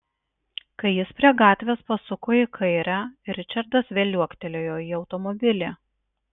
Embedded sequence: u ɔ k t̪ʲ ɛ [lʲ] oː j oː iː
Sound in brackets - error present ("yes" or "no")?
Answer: no